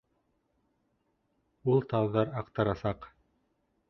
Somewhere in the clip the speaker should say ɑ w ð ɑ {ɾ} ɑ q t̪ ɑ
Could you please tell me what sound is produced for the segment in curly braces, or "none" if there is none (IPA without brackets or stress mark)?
ɾ